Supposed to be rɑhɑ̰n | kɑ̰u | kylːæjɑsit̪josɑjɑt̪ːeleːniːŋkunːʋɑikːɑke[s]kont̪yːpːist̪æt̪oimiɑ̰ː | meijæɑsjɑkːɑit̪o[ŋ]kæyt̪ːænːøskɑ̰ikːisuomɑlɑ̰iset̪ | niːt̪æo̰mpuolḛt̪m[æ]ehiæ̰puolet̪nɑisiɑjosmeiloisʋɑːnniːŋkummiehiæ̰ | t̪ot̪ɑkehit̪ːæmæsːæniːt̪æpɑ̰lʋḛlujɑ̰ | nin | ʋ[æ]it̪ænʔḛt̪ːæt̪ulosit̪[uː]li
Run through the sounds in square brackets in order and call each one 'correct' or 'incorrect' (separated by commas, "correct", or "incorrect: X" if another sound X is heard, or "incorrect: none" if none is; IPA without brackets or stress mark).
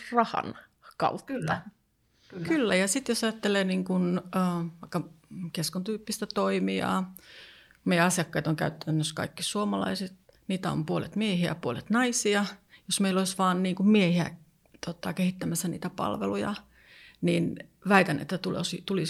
correct, correct, incorrect: i, correct, incorrect: u